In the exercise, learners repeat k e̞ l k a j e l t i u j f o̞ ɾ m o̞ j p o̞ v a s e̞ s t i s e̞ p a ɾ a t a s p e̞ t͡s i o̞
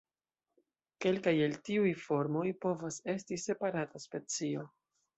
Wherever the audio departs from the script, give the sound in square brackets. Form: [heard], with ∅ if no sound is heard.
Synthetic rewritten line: k e̞ l k a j e l t i u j f o̞ ɾ m o̞ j p o̞ v a s e̞ s t i s e̞ p a ɾ a t a s p e̞ t͡s i o̞